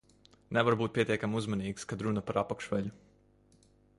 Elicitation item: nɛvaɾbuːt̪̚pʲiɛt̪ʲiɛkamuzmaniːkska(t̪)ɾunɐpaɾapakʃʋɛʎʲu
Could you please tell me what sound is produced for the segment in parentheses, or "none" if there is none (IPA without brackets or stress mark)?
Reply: d̪